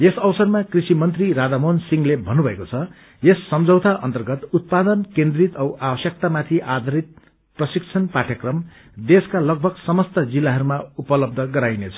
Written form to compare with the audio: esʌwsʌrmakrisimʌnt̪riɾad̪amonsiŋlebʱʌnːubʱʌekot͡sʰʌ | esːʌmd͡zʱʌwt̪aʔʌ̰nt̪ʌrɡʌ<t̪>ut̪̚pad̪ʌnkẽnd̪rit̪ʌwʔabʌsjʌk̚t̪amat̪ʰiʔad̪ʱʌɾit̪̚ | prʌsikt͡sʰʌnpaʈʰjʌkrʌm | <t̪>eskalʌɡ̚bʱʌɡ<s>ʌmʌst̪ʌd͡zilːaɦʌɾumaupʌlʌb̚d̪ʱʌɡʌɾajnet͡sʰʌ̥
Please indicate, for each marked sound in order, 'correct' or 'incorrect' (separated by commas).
correct, incorrect, correct